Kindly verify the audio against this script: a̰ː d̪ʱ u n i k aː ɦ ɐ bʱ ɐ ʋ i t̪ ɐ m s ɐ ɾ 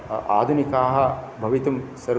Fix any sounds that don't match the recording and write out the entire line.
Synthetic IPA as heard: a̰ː d̪ʱ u n i k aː ɦ ɐ bʱ ɐ ʋ i t̪ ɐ m s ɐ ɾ